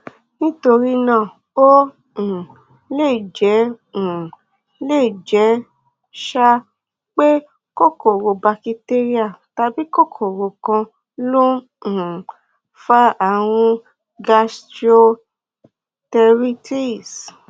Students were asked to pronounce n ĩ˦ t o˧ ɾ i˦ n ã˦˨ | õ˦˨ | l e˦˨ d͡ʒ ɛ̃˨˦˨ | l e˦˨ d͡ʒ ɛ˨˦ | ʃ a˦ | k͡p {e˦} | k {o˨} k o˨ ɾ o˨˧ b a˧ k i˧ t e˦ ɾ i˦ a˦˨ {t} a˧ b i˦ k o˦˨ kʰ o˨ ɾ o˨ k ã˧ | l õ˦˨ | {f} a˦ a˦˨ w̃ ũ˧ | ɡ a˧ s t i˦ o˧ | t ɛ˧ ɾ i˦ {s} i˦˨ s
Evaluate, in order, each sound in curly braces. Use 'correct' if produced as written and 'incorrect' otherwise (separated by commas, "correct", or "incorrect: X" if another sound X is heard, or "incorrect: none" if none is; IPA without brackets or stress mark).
correct, incorrect: o˦, correct, correct, incorrect: t